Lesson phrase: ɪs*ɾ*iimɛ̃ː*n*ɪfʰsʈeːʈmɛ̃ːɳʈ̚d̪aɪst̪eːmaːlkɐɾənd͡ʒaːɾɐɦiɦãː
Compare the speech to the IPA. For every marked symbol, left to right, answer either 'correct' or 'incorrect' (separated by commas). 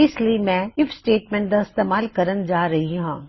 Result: incorrect, incorrect